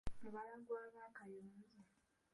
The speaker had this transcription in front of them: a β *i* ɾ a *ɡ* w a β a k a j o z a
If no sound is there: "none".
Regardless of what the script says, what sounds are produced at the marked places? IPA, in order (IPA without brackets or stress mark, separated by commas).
a, ɡ